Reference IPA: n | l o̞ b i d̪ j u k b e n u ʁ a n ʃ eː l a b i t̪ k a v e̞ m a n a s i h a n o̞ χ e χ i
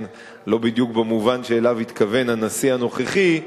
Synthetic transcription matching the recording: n | l o̞ b i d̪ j u k b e m u v a n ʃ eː l a v i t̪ k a v e̞ n a n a s i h a n o̞ χ e χ i